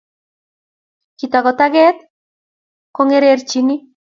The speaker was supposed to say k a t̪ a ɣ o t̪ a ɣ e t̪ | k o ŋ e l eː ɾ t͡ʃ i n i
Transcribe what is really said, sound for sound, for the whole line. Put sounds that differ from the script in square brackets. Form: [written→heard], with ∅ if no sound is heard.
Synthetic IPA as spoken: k [a→i] t̪ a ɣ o t̪ a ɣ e t̪ | k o ŋ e [l→ɾ] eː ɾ t͡ʃ i n i